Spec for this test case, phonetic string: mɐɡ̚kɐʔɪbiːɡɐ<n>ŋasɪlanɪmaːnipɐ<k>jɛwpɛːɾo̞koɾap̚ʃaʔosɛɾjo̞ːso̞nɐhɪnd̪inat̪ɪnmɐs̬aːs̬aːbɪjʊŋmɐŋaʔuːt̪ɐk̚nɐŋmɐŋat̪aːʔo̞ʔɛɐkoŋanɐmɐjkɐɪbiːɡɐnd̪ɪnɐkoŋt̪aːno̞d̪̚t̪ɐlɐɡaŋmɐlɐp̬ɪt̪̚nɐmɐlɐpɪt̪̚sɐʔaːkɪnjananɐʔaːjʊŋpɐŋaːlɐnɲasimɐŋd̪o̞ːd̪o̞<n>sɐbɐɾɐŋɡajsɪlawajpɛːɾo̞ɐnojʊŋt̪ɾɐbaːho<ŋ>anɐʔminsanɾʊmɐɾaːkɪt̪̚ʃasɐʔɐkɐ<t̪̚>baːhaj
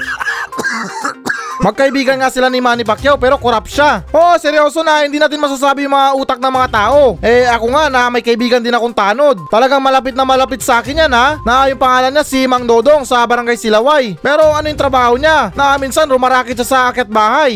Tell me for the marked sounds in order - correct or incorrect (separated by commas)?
correct, correct, incorrect, incorrect, correct